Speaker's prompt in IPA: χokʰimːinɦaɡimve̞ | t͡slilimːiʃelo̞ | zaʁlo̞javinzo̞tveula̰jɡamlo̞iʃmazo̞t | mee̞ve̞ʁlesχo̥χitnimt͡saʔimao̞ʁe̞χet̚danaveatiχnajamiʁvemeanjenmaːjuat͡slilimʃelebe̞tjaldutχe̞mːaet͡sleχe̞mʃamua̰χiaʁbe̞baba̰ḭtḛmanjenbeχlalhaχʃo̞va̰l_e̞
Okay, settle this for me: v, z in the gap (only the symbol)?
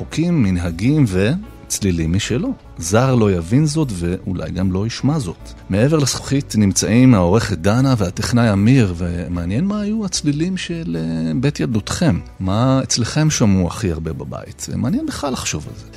z